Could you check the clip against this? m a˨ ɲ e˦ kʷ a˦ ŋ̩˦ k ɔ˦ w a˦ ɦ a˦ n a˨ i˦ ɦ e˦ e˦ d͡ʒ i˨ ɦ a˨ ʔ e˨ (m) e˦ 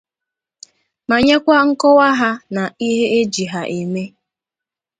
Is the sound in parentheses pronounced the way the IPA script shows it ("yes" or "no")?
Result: yes